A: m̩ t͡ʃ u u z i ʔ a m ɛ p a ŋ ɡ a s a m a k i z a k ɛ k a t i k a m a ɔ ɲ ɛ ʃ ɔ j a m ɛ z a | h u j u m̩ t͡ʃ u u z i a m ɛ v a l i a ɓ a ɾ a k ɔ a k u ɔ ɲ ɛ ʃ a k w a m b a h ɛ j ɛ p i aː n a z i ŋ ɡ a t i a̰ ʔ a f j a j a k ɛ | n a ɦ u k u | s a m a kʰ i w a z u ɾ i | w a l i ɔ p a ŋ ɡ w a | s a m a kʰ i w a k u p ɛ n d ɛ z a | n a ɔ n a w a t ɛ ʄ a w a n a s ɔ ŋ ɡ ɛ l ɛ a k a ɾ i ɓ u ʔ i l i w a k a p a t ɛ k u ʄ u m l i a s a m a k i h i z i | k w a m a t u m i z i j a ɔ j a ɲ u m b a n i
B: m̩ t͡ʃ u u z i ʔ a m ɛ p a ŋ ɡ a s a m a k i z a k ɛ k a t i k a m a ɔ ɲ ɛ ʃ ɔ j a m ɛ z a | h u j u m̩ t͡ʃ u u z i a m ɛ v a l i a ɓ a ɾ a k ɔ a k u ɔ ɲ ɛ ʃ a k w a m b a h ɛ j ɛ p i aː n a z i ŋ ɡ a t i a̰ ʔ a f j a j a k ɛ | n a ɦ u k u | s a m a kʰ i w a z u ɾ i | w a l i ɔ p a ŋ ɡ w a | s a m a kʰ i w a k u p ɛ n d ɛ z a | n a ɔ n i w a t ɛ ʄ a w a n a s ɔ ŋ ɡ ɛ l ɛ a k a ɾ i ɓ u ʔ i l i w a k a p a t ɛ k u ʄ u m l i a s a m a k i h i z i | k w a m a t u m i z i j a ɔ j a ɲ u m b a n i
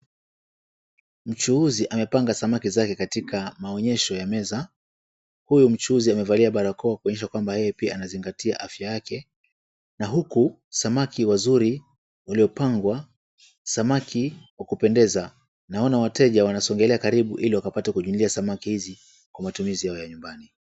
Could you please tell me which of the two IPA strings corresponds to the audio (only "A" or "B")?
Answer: A